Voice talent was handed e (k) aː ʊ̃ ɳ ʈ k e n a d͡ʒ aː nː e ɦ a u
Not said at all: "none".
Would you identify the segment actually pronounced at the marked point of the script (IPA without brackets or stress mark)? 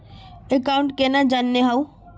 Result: k